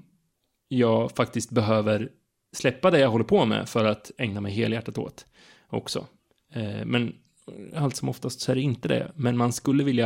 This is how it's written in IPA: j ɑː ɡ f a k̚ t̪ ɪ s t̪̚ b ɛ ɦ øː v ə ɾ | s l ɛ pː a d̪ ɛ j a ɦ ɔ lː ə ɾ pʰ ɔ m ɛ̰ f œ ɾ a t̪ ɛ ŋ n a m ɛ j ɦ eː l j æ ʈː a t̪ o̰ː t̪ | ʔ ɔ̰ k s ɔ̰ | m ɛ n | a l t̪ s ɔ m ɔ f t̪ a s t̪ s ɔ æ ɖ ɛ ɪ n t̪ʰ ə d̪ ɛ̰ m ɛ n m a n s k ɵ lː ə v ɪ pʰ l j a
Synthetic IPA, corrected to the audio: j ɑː ɡ f a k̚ t̪ ɪ s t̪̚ b ɛ ɦ øː v ə ɾ | s l ɛ pː a d̪ ɛ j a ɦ ɔ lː ə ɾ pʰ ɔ m ɛ̰ f œ ɾ a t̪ ɛ ŋ n a m ɛ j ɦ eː l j æ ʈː a t̪ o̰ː t̪ | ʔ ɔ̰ k s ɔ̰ | m ɛ n | a l t̪ s ɔ m ɔ f t̪ a s t̪ s ɔ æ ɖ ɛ ɪ n t̪ ə d̪ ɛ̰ m ɛ n m a n s k ɵ lː ə v ɪ l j a